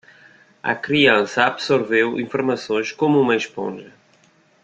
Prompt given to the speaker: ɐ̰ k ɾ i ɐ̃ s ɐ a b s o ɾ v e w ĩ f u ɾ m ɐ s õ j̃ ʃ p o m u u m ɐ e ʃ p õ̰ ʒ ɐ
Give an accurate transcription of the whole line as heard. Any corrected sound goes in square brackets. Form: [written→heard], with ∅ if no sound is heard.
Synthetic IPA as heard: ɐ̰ k ɾ i ɐ̃ s ɐ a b s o ɾ v e w ĩ f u ɾ m ɐ s õ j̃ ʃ [p→k] o m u u m ɐ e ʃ p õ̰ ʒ ɐ